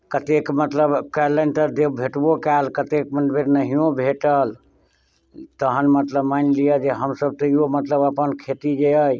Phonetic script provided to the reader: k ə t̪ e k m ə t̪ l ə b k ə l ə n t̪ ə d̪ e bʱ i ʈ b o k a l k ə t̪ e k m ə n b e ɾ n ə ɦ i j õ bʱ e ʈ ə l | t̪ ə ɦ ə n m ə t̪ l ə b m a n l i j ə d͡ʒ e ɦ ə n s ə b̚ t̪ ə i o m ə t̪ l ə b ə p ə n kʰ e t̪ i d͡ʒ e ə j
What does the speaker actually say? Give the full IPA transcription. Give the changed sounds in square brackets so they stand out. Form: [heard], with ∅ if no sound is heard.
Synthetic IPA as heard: k ə t̪ e k m ə t̪ l ə b k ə l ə n t̪ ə d̪ e bʱ [e] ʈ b o k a l k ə t̪ e k m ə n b e ɾ n ə ɦ i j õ bʱ e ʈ ə l | t̪ ə ɦ ə n m ə t̪ l ə b m a n l i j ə d͡ʒ e ɦ ə [m] s ə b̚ t̪ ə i o m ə t̪ l ə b ə p ə n kʰ e t̪ i d͡ʒ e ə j